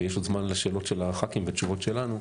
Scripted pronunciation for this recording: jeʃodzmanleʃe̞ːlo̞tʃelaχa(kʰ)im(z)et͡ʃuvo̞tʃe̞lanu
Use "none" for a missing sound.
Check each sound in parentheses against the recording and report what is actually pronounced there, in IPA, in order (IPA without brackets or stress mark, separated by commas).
k, v